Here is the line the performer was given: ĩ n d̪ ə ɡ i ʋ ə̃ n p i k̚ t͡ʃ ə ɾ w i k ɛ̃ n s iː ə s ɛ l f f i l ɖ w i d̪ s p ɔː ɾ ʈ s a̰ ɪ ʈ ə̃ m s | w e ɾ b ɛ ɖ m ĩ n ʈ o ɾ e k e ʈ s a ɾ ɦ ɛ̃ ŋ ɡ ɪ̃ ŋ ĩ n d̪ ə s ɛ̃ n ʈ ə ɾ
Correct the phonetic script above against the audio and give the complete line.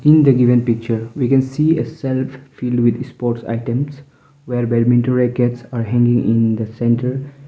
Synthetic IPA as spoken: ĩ n d̪ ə ɡ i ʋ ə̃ n p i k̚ t͡ʃ ə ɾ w i k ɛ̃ n s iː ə s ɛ l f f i l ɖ w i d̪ s p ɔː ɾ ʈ s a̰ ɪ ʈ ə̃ m s | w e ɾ b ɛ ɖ m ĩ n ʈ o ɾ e k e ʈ s a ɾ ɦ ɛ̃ ŋ ɡ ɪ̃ ŋ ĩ n d̪ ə s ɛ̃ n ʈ ə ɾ